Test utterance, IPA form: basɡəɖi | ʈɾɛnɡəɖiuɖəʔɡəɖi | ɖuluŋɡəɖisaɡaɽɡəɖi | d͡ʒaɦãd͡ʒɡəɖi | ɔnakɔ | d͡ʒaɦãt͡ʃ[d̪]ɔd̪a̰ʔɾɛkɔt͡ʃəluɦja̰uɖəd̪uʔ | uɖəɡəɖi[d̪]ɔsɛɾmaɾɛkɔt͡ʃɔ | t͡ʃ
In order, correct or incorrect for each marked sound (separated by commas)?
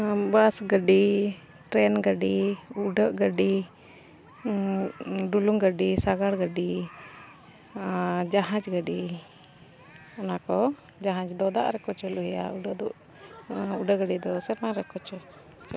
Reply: correct, correct